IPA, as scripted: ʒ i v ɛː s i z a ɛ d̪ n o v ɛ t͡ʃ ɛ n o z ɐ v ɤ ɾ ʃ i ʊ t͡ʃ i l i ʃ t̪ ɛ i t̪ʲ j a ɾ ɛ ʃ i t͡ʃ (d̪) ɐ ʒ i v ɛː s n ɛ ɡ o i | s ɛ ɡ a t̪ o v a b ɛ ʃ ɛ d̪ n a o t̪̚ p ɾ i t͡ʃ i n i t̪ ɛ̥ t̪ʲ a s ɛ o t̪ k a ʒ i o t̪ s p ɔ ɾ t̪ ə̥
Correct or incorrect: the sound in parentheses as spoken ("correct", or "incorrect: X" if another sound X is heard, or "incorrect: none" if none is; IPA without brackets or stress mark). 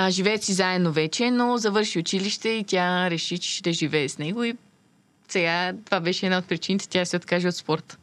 correct